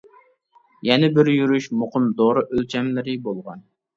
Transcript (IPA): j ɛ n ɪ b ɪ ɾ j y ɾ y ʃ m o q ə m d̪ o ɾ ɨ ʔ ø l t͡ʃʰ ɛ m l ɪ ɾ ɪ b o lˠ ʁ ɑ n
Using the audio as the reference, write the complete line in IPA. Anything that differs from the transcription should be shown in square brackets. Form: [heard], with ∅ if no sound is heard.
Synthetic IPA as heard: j ɛ n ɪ b ɪ ɾ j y ɾ y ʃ m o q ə m d̪ o ɾ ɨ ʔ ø l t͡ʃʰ ɛ m l ɪ ɾ ɪ b o lˠ ʁ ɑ n